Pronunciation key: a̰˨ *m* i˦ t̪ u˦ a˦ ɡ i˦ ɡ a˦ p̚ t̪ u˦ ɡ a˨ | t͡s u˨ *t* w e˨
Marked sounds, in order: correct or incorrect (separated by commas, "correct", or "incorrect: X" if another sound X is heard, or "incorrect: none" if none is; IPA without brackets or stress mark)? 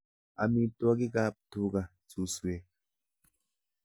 correct, incorrect: s